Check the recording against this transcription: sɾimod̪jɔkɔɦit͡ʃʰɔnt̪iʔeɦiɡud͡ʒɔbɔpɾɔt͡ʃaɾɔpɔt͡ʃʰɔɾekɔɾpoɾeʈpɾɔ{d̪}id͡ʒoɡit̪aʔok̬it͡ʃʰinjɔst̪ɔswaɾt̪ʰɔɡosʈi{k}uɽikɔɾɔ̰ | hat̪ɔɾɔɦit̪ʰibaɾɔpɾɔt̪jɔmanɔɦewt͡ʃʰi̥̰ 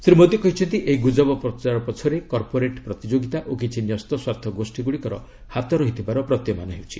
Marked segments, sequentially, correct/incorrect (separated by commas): incorrect, incorrect